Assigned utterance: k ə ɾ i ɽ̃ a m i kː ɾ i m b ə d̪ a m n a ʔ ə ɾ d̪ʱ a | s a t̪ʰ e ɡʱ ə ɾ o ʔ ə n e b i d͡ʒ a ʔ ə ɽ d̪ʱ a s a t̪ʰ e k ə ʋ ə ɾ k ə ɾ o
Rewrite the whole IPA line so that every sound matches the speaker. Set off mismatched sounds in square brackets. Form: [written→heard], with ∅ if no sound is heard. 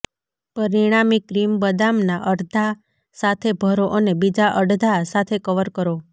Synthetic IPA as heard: [k→p] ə ɾ i ɽ̃ a m i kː ɾ i m b ə d̪ a m n a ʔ ə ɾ d̪ʱ a | s a t̪ʰ e [ɡʱ→bʱ] ə ɾ o ʔ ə n e b i d͡ʒ a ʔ ə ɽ d̪ʱ a s a t̪ʰ e k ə ʋ ə ɾ k ə ɾ o